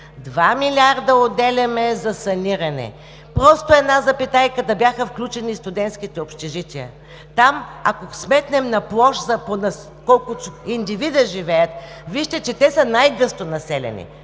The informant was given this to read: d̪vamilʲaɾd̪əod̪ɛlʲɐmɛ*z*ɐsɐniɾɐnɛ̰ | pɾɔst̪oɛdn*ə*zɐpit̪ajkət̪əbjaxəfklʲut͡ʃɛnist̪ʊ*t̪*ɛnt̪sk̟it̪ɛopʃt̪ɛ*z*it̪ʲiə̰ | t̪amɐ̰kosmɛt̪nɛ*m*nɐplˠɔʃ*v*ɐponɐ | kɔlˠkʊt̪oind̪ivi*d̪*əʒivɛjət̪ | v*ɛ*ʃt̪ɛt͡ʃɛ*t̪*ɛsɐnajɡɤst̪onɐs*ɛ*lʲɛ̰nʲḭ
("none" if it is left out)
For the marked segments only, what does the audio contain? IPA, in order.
z, a, d̪, ʒ, m, z, d̪, i, t̪, ɛ

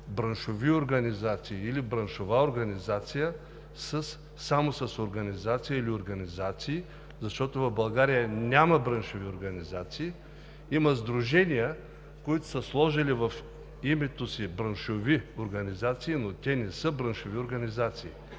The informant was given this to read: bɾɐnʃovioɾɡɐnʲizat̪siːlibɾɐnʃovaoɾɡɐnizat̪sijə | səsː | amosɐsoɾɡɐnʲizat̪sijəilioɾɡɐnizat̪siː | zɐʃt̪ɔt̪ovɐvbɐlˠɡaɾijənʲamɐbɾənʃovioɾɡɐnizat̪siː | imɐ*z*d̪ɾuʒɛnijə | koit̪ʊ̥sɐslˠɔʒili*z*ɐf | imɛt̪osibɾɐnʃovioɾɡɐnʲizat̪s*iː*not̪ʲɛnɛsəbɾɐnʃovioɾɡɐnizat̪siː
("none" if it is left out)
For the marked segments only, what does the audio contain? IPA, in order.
z, v, iː

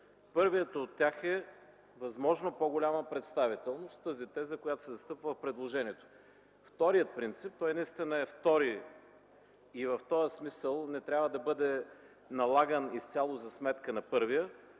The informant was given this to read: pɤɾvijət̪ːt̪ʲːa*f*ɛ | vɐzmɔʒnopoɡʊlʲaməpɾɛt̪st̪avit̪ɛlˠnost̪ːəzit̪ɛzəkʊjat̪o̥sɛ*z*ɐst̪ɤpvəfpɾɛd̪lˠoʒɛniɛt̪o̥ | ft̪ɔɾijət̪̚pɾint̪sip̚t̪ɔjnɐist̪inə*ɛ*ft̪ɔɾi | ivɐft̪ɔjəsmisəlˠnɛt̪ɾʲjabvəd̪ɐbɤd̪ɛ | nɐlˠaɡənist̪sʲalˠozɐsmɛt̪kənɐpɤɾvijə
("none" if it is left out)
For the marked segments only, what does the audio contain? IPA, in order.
x, z, ɛ

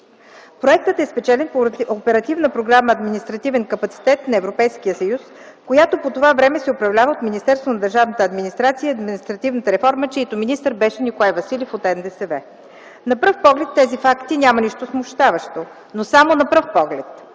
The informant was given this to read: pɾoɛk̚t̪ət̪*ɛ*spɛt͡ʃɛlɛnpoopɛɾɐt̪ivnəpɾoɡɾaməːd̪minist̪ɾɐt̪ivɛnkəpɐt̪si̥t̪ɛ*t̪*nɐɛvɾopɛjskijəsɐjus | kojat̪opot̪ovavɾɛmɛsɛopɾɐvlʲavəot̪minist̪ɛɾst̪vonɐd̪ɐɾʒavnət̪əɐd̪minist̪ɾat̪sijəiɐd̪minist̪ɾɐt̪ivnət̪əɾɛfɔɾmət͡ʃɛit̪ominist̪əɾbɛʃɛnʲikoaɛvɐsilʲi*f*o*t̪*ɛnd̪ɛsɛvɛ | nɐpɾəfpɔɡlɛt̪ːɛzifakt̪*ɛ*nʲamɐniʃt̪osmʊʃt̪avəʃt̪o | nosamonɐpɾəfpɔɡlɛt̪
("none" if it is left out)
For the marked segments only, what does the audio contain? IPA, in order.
ɛ, t̪, f, t̪, i

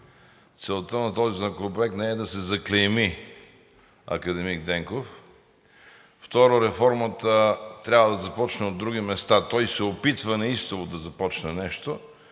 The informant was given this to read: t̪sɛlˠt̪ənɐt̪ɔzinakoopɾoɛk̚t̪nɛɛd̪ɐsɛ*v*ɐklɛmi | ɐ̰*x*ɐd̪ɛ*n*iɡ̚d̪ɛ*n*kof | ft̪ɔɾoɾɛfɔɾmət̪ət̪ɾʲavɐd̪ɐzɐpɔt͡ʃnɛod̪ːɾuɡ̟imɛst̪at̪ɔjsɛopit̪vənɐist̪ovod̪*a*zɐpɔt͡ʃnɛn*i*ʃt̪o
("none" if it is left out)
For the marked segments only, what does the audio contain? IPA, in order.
z, k, m, ŋ, ɐ, ɛ

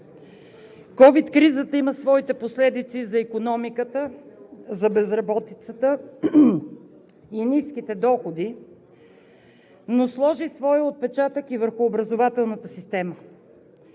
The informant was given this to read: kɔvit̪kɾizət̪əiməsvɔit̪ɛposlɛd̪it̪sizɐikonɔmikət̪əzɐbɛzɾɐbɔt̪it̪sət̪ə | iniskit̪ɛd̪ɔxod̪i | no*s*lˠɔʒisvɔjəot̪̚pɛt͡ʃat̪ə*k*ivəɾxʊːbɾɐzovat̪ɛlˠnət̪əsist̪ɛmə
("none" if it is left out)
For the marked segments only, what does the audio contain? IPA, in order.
s, k

